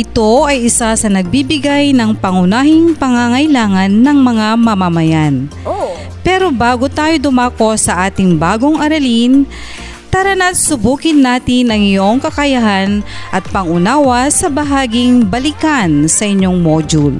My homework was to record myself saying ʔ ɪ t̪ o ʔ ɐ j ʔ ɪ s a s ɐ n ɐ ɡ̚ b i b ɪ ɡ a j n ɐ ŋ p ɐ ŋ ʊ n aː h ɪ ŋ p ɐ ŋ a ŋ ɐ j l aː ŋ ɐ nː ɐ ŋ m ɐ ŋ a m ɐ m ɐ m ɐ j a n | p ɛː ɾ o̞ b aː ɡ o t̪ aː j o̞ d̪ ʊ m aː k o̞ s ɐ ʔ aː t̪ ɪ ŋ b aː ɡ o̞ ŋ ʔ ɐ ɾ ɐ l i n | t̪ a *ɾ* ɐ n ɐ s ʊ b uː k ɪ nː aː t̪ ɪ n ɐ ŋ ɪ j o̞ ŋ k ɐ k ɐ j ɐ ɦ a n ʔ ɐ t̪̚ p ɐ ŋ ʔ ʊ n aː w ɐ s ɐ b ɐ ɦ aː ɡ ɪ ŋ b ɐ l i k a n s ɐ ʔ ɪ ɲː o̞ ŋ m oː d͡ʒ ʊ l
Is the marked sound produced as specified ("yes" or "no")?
yes